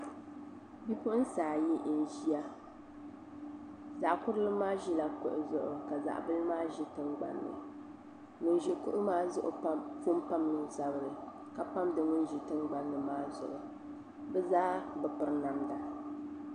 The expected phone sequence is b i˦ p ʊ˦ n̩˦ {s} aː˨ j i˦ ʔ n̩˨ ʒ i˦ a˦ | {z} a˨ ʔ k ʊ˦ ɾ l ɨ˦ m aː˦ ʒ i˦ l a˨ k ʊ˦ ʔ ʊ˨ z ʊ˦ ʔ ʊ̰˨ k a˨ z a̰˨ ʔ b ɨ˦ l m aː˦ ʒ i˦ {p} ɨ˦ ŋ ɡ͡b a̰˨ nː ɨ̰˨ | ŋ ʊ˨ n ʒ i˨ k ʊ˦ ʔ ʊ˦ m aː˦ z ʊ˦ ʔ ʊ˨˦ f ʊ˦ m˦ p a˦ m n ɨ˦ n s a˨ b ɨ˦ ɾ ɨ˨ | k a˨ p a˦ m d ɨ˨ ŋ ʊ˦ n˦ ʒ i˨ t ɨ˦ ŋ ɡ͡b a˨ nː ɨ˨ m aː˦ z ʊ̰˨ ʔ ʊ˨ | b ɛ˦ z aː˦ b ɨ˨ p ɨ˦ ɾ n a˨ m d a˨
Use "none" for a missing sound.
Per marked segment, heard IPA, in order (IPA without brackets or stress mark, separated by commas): s, z, t